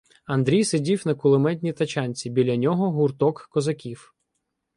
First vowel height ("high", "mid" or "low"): low